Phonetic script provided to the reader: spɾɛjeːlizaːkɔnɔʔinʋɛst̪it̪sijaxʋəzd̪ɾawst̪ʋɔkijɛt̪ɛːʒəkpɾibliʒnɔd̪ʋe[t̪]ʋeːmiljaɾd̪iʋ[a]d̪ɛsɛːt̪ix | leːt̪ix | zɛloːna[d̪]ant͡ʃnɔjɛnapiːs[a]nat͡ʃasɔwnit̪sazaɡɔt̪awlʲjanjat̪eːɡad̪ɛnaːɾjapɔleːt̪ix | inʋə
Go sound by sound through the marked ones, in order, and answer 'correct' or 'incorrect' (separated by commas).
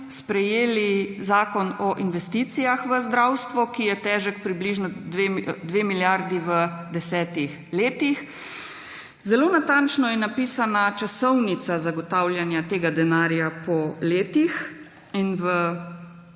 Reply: incorrect, incorrect, incorrect, correct